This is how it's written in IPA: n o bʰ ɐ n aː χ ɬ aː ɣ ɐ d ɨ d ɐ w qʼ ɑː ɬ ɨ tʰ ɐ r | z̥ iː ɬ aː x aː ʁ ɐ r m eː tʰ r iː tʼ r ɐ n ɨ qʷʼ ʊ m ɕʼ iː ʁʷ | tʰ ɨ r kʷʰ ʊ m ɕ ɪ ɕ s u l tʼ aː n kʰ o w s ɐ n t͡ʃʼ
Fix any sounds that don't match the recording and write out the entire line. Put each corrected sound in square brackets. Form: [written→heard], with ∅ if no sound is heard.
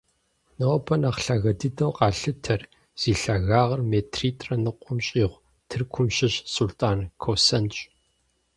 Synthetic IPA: n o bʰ ɐ n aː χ ɬ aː ɣ ɐ d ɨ d ɐ w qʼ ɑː ɬ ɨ tʰ ɐ r | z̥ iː ɬ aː [x→ɣ] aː ʁ ɐ r m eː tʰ r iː tʼ r ɐ n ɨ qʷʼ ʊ m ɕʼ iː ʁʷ | tʰ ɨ r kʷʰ ʊ m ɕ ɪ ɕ s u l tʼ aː n kʰ o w s ɐ n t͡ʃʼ